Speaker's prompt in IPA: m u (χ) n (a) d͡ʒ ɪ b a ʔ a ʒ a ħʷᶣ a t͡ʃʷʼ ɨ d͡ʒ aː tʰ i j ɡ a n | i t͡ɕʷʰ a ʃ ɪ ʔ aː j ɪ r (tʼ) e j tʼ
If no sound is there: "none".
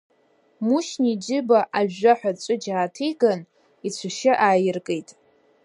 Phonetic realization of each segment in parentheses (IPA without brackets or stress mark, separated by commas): ʃ, i, kʼ